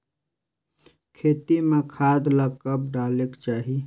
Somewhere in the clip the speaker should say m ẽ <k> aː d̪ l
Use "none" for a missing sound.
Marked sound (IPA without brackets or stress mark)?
kʰ